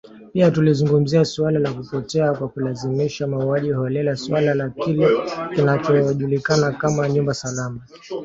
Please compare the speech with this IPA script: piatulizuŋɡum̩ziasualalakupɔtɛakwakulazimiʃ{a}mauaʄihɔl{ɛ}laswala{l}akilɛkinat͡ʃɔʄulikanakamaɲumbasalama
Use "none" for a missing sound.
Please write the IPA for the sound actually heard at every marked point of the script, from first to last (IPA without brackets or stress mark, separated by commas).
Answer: a, ɛ, l